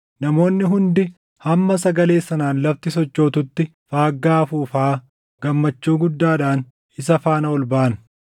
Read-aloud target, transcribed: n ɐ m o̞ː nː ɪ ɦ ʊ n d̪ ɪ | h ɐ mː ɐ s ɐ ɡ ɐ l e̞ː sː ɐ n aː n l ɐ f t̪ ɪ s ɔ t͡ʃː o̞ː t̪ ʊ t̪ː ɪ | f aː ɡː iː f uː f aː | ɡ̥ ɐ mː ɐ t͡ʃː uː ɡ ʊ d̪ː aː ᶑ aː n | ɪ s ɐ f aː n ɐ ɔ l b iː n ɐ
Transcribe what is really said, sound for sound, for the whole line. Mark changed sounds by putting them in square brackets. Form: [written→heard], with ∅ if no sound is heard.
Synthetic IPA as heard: n ɐ m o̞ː nː ɪ ɦ ʊ n d̪ ɪ | h ɐ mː ɐ s ɐ ɡ ɐ l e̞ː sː ɐ n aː n l ɐ f t̪ ɪ s ɔ t͡ʃː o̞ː t̪ ʊ t̪ː ɪ | f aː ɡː [iː→aː] f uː f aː | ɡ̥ ɐ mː ɐ t͡ʃː uː ɡ ʊ d̪ː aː ᶑ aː n | ɪ s ɐ f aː n ɐ ɔ l b [iː→aː] n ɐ